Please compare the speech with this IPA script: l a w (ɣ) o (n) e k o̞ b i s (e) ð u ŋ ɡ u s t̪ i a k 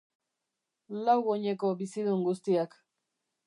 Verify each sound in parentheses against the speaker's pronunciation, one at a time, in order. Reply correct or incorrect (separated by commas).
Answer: correct, incorrect, incorrect